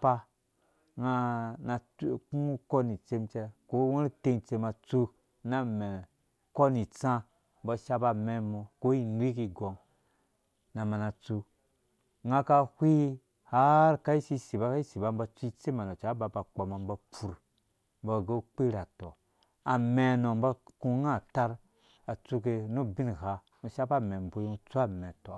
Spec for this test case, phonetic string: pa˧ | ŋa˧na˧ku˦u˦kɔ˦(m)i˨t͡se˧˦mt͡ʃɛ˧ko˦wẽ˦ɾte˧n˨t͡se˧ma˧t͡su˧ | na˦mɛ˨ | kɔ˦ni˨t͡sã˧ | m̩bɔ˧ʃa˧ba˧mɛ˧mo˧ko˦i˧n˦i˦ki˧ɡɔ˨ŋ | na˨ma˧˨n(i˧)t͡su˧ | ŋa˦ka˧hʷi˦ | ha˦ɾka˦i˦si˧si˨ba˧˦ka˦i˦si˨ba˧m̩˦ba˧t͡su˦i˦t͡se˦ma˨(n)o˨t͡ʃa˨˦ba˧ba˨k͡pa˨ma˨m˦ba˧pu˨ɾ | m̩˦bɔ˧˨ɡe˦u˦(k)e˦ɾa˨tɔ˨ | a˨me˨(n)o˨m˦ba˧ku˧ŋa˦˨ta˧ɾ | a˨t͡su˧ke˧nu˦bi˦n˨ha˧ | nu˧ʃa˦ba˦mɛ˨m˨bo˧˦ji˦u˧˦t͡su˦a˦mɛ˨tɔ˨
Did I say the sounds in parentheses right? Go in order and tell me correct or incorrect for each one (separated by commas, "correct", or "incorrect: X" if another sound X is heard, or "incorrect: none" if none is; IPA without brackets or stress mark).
incorrect: n, incorrect: a˧, correct, incorrect: k͡p, correct